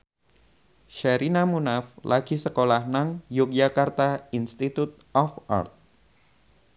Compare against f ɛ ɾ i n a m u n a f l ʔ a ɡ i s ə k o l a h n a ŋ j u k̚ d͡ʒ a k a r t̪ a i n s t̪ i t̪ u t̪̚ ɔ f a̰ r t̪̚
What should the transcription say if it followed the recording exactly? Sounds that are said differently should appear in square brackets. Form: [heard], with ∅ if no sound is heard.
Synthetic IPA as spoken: [ʃ] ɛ ɾ i n a m u n a f l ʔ a ɡ i s ə k o l a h n a ŋ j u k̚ d͡ʒ a k a r t̪ a i n s t̪ i t̪ u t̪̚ ɔ f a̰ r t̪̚